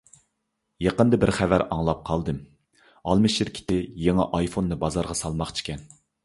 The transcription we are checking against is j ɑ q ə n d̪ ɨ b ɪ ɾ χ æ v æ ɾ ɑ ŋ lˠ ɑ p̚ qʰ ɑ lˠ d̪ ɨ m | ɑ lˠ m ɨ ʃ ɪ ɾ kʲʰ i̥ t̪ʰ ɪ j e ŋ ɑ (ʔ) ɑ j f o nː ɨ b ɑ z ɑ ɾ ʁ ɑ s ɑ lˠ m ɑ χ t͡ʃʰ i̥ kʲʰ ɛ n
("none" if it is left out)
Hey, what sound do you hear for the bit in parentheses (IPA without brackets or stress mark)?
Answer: ʔ